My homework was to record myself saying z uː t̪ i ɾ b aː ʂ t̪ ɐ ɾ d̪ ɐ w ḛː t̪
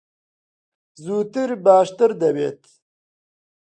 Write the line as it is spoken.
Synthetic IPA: z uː t̪ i ɾ b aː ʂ t̪ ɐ ɾ d̪ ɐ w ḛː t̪